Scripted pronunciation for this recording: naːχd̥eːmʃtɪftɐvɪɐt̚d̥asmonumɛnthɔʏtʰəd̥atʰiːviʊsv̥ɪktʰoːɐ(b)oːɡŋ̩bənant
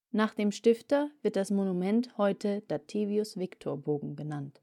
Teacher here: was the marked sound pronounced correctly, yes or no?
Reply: yes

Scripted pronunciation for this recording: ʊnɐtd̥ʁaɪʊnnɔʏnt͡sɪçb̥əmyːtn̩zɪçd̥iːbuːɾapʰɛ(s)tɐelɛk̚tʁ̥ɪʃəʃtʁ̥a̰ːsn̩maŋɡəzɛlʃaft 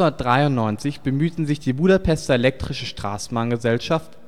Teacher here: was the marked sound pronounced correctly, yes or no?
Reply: yes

